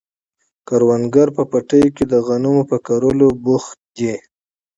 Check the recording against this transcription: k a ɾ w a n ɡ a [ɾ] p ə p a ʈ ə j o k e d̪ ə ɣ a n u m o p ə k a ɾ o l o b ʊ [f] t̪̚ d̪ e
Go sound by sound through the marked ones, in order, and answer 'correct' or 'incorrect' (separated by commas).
correct, incorrect